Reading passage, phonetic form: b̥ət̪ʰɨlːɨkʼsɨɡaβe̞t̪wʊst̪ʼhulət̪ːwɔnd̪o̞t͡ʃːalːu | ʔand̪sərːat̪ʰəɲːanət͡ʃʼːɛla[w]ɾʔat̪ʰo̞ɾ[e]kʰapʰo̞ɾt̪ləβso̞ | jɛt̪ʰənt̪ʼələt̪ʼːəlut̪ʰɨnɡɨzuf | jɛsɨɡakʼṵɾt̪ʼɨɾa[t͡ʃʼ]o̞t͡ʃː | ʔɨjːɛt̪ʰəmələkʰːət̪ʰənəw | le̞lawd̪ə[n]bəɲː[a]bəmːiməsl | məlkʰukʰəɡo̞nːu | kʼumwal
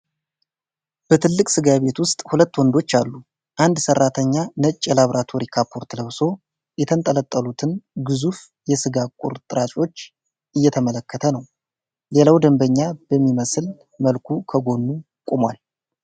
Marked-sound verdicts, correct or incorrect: incorrect: β, incorrect: i, correct, incorrect: m, correct

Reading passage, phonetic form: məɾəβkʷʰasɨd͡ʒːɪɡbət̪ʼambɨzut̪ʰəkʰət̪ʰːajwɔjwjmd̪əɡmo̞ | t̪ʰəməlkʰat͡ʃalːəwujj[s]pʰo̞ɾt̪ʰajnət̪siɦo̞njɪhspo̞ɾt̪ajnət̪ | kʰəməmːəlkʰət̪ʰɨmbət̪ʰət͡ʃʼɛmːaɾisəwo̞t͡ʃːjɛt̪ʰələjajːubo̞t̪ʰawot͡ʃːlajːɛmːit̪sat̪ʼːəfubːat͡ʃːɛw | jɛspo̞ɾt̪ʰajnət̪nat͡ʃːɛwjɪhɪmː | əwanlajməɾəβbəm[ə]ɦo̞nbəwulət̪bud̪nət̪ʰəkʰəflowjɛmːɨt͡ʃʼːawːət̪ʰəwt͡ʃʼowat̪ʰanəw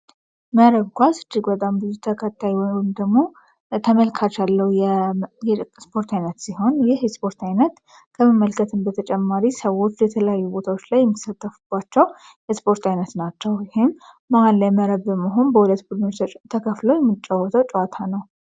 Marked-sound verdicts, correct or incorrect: correct, correct

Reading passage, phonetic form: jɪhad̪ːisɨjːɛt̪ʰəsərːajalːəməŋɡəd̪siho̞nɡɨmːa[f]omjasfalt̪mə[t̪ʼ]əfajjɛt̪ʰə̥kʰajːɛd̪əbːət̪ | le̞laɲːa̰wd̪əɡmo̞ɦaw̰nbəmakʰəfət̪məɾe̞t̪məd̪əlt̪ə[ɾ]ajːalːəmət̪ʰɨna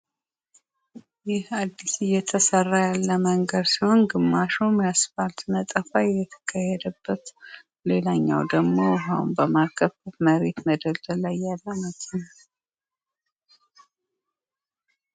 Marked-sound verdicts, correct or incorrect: incorrect: ʃ, correct, incorrect: l

